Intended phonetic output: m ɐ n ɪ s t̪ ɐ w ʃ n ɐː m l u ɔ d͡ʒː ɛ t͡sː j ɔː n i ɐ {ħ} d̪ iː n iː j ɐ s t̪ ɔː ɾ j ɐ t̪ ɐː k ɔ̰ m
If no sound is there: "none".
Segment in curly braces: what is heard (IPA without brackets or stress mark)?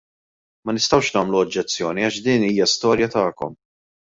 ʃ